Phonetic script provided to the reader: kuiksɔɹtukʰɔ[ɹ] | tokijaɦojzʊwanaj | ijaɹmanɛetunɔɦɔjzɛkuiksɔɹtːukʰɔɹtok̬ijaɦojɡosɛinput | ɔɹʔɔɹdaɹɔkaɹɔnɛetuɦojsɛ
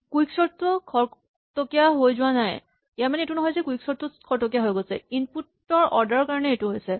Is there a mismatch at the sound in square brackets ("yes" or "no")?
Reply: no